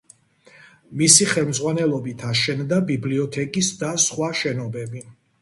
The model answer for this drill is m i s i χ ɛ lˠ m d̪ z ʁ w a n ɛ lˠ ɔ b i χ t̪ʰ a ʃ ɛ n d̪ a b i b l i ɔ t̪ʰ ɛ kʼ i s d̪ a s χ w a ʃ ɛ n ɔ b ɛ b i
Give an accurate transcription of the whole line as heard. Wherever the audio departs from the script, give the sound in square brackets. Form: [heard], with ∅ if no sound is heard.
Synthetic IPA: m i s i χ ɛ lˠ m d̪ z ʁ w a n ɛ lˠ ɔ b i [∅] t̪ʰ a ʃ ɛ n d̪ a b i b l i ɔ t̪ʰ ɛ kʼ i s d̪ a s χ w a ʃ ɛ n ɔ b ɛ b i